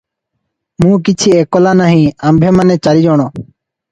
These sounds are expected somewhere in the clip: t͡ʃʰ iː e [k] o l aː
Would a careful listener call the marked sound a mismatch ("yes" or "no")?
no